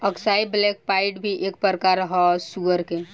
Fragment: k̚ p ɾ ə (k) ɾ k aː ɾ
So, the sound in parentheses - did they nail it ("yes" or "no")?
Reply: no